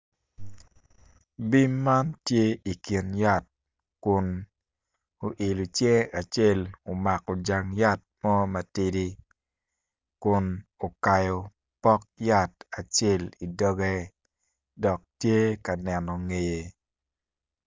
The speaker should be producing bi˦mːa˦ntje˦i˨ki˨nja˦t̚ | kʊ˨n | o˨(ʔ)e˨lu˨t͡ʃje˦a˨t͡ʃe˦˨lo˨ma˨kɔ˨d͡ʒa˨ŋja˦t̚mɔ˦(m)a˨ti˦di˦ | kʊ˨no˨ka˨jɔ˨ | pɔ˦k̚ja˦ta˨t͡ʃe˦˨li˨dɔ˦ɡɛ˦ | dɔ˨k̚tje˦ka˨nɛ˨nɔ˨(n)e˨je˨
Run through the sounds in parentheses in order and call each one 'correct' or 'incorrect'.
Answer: correct, correct, incorrect

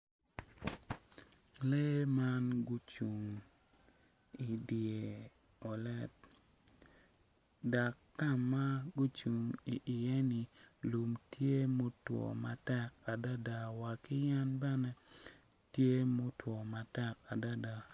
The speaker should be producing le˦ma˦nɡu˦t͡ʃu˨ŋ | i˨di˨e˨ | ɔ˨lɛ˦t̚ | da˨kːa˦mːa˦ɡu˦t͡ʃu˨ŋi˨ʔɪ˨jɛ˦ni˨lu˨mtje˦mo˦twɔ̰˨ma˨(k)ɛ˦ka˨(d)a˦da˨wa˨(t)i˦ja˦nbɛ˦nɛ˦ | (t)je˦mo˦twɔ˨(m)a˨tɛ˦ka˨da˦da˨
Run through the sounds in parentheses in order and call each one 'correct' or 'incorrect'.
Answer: incorrect, correct, incorrect, correct, correct

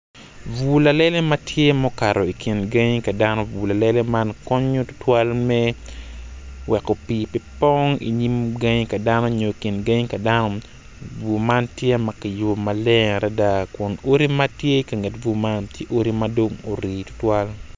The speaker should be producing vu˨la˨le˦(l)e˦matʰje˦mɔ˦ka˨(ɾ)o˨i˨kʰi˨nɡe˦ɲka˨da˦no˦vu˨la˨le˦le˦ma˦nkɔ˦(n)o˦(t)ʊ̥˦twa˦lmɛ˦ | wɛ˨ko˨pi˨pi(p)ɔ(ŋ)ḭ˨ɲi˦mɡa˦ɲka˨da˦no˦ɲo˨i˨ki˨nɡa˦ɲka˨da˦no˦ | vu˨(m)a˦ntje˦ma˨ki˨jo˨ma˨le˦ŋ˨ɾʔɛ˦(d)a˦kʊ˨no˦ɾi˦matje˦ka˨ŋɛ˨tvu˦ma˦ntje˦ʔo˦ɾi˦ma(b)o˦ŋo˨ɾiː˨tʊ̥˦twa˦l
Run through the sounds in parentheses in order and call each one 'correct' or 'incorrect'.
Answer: correct, correct, incorrect, correct, correct, correct, correct, correct, incorrect

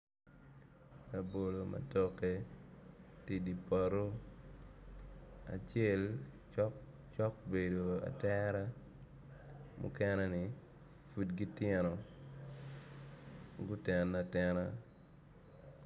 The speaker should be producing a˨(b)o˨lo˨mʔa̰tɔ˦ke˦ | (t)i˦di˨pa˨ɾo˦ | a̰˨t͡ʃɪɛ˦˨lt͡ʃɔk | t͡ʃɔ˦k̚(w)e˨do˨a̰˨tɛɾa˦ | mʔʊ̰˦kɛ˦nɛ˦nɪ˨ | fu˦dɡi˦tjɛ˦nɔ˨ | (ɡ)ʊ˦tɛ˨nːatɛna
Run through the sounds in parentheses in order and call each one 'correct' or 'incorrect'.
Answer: correct, correct, incorrect, correct

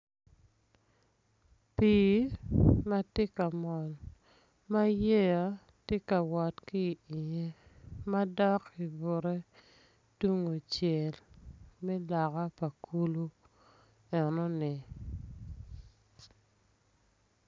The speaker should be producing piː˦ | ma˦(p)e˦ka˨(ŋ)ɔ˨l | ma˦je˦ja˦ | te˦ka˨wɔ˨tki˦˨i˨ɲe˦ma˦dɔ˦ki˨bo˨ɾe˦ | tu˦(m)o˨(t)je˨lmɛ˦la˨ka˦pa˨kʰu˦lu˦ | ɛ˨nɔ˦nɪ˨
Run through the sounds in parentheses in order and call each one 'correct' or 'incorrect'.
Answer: incorrect, incorrect, incorrect, incorrect

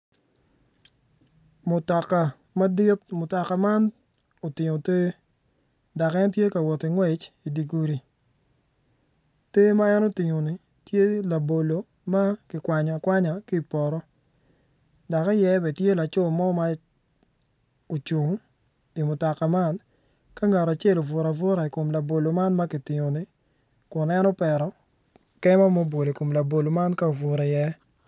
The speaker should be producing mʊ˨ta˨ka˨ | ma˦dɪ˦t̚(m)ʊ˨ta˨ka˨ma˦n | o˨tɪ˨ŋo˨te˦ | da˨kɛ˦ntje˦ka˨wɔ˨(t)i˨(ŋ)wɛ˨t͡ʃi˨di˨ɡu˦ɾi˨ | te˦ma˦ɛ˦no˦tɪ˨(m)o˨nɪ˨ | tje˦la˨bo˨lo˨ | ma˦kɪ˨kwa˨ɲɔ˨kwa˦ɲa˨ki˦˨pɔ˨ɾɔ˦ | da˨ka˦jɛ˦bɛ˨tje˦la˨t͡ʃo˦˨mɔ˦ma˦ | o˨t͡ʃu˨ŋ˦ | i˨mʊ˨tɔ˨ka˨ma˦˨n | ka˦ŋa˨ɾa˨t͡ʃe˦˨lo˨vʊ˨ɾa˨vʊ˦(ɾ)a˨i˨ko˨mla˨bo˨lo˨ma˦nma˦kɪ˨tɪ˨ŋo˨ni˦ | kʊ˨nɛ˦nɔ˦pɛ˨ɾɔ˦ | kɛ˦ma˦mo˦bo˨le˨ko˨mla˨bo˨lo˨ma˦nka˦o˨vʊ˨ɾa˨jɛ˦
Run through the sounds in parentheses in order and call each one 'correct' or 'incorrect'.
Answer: correct, correct, correct, incorrect, correct

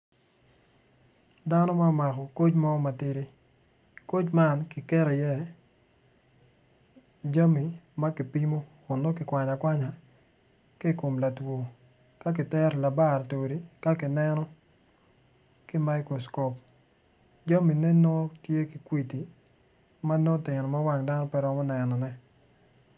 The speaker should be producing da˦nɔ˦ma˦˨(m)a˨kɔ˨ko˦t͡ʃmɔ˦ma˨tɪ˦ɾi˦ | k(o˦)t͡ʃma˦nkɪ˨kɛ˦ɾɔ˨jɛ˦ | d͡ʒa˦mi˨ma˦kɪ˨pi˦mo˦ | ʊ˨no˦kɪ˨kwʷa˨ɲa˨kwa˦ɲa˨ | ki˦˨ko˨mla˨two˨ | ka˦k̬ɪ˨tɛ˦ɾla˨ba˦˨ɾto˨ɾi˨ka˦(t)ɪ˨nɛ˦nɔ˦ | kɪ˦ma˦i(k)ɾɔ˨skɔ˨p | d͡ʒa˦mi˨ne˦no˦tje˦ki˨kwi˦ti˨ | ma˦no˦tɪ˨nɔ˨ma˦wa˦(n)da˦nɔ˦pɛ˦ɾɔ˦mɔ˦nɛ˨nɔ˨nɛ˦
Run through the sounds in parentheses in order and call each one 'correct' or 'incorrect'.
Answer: correct, correct, incorrect, correct, incorrect

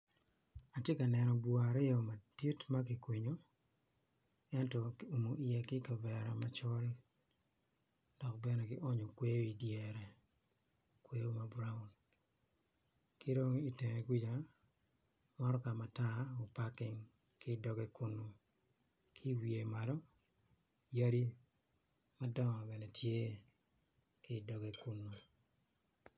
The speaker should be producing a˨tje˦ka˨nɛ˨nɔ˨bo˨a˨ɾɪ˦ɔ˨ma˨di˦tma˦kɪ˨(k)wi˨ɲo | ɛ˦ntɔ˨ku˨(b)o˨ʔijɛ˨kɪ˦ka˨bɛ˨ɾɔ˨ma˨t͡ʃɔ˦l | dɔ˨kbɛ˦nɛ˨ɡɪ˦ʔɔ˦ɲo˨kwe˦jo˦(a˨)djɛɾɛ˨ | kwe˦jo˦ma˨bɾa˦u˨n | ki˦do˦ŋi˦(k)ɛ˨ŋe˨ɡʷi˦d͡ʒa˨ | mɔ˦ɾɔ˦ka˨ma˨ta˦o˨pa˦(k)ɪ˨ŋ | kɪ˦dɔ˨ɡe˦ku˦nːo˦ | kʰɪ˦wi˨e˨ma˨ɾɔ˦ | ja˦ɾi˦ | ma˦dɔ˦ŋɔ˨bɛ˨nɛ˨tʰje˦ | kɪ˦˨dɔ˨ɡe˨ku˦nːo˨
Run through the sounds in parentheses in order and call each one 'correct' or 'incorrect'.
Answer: correct, incorrect, incorrect, incorrect, correct

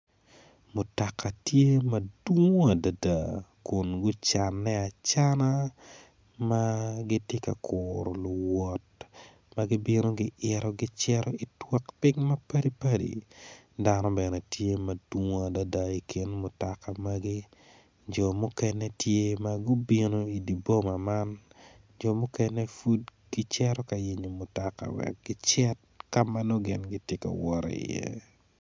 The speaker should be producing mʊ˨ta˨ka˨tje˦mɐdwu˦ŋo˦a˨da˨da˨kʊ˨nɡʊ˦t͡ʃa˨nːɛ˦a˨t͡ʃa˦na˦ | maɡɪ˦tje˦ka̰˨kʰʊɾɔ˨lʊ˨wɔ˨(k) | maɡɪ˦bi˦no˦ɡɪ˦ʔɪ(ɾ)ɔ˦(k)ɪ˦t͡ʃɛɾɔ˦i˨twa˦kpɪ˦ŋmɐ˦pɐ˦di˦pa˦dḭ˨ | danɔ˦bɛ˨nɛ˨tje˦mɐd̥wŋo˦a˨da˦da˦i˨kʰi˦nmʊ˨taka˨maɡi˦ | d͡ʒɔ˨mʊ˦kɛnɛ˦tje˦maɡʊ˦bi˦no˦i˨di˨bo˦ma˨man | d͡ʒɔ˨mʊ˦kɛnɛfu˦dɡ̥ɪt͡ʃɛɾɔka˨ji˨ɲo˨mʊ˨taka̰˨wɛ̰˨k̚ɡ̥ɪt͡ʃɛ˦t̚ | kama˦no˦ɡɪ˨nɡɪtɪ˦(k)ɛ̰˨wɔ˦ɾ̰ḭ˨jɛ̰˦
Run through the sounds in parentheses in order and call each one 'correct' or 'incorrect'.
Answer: incorrect, correct, incorrect, correct

